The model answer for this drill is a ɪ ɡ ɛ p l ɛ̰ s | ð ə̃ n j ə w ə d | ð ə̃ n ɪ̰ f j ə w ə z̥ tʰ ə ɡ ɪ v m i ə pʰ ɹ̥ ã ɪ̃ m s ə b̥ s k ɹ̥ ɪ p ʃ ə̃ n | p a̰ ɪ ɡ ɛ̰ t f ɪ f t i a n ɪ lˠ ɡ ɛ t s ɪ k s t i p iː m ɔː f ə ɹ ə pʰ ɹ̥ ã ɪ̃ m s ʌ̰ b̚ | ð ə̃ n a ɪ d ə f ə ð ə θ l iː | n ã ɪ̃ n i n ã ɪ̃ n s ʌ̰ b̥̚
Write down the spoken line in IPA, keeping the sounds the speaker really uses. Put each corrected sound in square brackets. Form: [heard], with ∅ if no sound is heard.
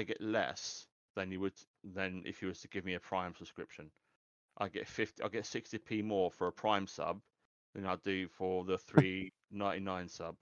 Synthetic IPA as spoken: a ɪ ɡ ɛ [ʔ] l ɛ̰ s | ð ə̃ n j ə w ə d | ð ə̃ n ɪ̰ f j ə w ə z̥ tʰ ə ɡ ɪ v m i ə pʰ ɹ̥ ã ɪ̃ m s ə b̥ s k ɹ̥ ɪ p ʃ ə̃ n | [ʔ] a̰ ɪ ɡ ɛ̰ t f ɪ f t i a [∅] ɪ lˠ ɡ ɛ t s ɪ k s t i [pʰ] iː m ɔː f ə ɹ ə pʰ ɹ̥ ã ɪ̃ m s ʌ̰ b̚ | ð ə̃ n a ɪ d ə f ə ð ə θ [ɹ] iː | n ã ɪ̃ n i n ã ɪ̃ n s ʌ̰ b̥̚